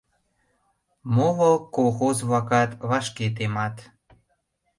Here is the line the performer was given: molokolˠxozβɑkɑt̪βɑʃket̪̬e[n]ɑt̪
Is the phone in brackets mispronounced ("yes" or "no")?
yes